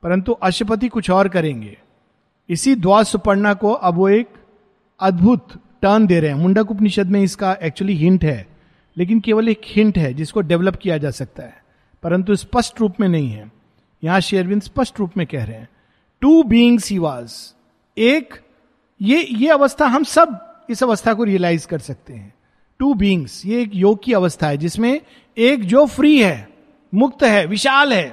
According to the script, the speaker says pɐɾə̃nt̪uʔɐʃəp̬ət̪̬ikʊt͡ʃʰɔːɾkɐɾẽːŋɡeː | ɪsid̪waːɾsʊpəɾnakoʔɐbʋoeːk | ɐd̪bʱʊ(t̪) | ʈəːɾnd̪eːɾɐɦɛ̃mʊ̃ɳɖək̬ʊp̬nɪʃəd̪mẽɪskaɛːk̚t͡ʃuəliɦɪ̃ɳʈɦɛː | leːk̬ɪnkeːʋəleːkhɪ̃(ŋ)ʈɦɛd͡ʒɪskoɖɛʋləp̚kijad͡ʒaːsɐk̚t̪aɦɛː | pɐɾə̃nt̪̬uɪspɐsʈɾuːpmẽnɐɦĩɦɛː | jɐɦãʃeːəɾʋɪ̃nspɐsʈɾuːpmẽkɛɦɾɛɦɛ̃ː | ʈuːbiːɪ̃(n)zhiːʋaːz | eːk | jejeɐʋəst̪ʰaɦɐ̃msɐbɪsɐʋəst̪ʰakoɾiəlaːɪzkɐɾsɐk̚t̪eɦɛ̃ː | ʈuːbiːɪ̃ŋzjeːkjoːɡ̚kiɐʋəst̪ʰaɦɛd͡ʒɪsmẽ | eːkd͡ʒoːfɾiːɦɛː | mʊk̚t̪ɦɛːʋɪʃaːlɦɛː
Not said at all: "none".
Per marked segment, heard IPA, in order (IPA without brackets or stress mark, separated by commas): t̪, ɳ, ŋ